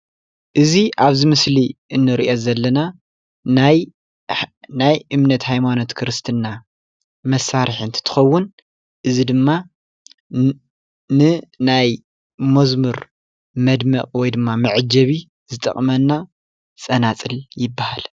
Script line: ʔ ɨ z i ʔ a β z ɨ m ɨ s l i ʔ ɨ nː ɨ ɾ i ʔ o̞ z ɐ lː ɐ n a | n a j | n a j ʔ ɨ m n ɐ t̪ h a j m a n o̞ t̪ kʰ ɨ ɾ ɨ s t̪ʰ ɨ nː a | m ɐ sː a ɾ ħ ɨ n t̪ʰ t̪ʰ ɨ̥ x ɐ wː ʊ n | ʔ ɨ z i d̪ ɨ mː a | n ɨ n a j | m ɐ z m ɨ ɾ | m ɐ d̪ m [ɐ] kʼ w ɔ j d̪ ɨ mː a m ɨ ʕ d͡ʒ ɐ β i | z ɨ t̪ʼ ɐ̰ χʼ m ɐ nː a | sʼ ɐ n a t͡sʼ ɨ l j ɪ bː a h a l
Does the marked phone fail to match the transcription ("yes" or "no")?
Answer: no